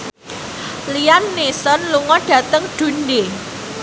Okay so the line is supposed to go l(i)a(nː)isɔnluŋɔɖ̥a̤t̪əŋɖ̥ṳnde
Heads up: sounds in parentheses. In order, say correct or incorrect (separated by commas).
correct, correct